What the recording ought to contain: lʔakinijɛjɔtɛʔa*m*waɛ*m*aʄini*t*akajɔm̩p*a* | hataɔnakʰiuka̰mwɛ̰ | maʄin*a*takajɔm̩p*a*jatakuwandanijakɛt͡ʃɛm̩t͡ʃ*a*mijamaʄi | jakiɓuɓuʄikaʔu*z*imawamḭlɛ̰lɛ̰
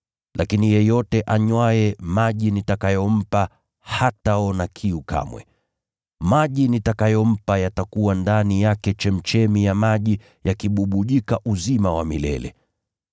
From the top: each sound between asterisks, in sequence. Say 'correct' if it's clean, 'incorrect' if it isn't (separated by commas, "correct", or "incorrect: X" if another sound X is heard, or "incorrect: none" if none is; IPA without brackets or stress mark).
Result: incorrect: ɲ, correct, correct, correct, incorrect: i, correct, incorrect: ɛ, correct